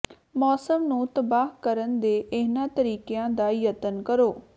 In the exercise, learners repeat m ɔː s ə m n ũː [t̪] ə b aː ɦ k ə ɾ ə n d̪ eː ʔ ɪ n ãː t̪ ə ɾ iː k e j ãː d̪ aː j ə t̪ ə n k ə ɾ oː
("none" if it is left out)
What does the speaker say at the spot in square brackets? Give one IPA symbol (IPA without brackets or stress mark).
t̪